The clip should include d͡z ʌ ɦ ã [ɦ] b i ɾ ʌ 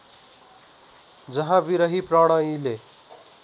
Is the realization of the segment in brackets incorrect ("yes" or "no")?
yes